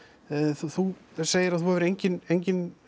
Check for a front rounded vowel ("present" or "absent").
absent